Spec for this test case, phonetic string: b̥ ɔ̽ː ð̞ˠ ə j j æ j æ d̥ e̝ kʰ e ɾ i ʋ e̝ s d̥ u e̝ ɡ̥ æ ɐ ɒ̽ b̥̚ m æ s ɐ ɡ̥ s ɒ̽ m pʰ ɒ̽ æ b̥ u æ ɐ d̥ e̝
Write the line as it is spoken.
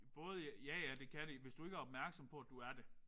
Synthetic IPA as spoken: b̥ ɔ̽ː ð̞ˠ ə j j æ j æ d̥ e̝ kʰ æ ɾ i ʋ e̝ s d̥ u e̝ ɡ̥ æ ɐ ɒ̽ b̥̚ m æ ɐ ɡ̥ s ɒ̽ m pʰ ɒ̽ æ d̥ u æ ɐ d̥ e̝